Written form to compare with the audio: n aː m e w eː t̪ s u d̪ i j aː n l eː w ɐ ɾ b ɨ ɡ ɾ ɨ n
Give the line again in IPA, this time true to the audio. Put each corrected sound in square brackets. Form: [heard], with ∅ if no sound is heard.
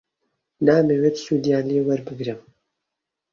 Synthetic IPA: n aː m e w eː t̪ s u d̪ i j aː n l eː w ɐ ɾ b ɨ ɡ ɾ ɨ [m]